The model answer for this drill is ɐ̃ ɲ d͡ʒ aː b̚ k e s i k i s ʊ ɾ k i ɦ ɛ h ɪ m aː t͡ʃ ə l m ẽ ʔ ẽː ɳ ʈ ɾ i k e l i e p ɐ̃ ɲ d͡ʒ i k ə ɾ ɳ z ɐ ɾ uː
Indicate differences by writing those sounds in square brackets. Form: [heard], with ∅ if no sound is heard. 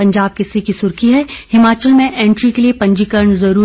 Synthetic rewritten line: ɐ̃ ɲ d͡ʒ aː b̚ k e s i k i s ʊ ɾ k i ɦ ɛ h ɪ m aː t͡ʃ ə l m ẽ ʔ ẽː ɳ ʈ ɾ i k e l i e p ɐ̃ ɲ d͡ʒ i k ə ɾ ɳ z ɐ ɾ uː